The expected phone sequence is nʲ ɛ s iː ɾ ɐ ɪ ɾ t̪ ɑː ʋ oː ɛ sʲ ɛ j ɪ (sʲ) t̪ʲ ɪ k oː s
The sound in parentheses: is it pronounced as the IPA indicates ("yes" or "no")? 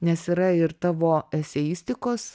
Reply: yes